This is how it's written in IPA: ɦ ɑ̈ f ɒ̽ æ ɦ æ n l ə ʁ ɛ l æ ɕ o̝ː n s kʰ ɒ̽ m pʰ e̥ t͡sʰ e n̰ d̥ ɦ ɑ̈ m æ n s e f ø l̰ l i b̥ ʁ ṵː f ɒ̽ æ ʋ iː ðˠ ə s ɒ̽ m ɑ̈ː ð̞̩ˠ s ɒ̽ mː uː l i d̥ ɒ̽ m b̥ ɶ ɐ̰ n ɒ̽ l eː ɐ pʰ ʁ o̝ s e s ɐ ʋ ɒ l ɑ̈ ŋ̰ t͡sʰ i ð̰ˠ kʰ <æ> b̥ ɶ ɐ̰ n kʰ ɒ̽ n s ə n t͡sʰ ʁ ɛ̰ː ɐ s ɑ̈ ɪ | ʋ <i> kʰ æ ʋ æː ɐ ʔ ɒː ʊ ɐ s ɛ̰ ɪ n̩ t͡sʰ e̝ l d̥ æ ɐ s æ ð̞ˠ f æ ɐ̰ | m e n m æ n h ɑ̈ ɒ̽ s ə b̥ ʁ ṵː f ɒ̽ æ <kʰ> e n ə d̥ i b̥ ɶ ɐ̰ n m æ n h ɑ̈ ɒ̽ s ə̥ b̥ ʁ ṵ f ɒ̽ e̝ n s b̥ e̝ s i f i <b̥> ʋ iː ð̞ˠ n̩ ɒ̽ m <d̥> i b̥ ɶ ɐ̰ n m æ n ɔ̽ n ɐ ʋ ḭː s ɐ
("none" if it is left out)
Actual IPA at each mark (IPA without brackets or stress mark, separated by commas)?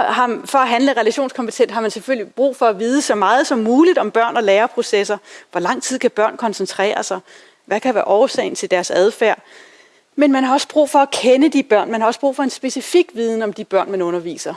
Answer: æ, æ, kʰ, ɡ̥, d̥